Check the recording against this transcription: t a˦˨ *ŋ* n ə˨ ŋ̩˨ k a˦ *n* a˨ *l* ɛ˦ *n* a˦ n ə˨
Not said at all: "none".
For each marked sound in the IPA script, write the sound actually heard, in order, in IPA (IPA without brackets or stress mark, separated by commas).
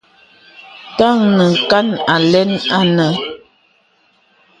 ŋ, n, l, n